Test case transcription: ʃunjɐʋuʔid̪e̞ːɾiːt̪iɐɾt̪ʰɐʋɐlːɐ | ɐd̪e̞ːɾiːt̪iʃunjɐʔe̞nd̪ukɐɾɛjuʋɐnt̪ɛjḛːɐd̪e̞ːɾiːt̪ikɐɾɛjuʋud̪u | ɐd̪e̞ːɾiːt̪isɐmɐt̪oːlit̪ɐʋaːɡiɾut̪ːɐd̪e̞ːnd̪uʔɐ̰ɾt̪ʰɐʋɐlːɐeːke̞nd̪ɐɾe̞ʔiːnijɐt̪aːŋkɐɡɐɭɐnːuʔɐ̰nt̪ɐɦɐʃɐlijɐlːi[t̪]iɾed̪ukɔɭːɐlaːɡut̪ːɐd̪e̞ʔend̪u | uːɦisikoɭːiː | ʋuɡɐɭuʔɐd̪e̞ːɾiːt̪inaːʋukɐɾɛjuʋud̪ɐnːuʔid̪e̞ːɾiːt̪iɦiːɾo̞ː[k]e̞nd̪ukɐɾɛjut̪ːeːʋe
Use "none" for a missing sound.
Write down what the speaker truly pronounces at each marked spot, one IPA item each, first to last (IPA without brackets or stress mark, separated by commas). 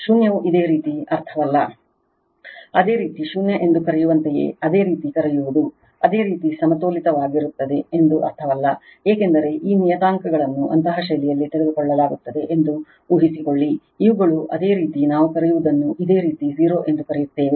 t̪, ʔ